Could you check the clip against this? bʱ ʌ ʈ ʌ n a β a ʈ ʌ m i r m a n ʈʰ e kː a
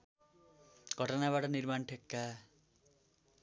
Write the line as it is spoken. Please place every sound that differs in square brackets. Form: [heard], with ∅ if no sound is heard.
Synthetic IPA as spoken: [ɡʱ] ʌ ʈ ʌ n a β a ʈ ʌ [n] i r m a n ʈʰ e kː a